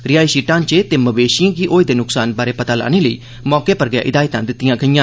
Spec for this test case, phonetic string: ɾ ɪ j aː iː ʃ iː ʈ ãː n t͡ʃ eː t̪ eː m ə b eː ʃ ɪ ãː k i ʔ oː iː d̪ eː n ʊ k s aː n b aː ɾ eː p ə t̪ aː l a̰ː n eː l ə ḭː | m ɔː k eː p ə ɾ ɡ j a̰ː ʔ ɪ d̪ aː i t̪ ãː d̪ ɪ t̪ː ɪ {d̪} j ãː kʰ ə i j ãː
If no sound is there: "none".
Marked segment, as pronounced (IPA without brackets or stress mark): none